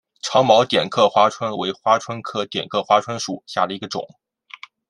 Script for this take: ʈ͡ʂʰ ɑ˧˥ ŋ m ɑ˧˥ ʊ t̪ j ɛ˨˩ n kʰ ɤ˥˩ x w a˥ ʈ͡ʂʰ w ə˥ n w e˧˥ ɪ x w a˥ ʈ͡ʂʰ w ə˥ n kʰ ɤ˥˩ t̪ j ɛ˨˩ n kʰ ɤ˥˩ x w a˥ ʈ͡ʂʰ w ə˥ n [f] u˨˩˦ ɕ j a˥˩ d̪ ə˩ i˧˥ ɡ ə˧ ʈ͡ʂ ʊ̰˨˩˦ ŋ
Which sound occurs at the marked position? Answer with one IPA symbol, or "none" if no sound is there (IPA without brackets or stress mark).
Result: ʂ